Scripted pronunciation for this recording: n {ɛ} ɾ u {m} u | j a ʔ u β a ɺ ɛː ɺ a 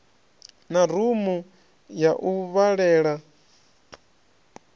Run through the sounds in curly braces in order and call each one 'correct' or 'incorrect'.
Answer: incorrect, correct

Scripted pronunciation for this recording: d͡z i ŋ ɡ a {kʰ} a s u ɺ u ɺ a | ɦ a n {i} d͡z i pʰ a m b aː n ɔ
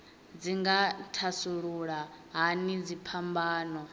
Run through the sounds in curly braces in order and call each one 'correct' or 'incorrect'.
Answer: incorrect, correct

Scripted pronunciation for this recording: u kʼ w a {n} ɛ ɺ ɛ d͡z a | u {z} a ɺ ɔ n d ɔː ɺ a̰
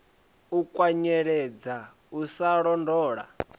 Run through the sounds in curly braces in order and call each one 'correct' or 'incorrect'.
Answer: incorrect, incorrect

